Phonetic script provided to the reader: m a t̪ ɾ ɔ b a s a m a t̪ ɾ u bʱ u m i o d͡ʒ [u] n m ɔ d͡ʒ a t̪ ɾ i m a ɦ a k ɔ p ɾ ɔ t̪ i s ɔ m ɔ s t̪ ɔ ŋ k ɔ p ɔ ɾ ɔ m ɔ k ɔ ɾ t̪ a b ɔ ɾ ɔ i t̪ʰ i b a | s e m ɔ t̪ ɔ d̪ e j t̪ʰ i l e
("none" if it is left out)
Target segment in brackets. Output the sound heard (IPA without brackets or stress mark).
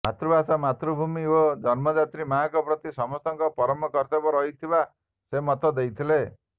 ɔ